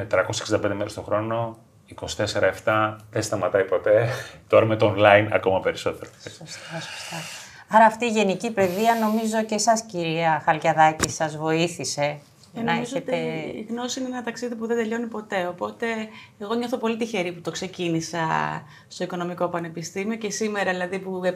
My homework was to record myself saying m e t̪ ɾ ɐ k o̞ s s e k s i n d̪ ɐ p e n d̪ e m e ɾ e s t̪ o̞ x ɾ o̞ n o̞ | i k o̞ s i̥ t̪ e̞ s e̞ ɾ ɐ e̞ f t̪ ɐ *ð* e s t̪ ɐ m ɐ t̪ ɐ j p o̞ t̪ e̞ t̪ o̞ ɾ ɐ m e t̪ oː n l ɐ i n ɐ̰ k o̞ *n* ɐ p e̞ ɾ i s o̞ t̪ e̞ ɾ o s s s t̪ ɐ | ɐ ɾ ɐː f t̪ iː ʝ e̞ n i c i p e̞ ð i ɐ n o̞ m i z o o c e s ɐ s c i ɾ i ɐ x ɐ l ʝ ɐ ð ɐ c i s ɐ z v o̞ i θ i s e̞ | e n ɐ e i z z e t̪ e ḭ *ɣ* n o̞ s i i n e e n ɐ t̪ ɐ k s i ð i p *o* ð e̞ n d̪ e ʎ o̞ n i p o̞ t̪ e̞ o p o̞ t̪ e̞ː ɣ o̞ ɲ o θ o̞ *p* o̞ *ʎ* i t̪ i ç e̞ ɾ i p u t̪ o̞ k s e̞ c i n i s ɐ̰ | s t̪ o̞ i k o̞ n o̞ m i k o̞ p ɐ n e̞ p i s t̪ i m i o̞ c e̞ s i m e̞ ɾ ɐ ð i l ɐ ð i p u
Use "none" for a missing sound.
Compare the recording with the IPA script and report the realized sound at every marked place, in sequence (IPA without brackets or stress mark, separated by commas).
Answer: ð, m, ɣ, u, p, l